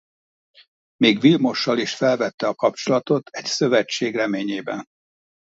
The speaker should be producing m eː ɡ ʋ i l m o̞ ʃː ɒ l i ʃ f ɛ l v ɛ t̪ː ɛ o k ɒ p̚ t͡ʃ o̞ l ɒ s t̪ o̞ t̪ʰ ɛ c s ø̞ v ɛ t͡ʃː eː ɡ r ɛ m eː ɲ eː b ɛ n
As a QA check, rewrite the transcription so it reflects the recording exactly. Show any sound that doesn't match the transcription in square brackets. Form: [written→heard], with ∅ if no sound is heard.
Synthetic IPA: m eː ɡ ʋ i l m o̞ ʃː ɒ l i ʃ f ɛ l v ɛ t̪ː ɛ [o→ɒ] k ɒ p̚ t͡ʃ o̞ l ɒ [s→∅] t̪ o̞ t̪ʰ ɛ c s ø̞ v ɛ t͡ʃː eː ɡ r ɛ m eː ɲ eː b ɛ n